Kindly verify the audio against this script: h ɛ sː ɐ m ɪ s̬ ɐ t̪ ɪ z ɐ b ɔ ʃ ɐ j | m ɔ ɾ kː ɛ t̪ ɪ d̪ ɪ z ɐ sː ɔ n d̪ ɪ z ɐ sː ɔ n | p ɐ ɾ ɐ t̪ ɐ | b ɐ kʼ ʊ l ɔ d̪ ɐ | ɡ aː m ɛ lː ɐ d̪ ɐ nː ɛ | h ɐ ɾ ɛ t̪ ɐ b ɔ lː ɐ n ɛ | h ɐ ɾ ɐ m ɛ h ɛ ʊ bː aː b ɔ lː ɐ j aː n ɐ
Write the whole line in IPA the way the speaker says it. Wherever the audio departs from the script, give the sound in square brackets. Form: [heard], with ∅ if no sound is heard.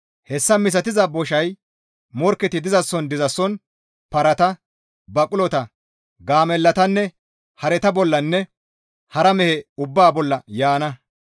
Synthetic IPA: h ɛ sː ɐ m ɪ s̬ ɐ t̪ ɪ z ɐ b ɔ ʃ ɐ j | m ɔ ɾ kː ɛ t̪ ɪ d̪ ɪ z ɐ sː ɔ n d̪ ɪ z ɐ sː ɔ n | p ɐ ɾ ɐ t̪ ɐ | b ɐ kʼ ʊ l ɔ [t̪] ɐ | ɡ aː m ɛ lː ɐ [t̪] ɐ nː ɛ | h ɐ ɾ ɛ t̪ ɐ b ɔ lː ɐ [nː] ɛ | h ɐ ɾ ɐ m ɛ h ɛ ʊ bː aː b ɔ lː ɐ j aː n ɐ